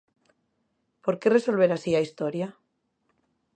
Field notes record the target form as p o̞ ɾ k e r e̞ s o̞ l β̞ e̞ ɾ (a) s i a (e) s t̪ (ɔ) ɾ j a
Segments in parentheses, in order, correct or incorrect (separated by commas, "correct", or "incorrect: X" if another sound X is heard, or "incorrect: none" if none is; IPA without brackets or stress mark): correct, incorrect: i, incorrect: o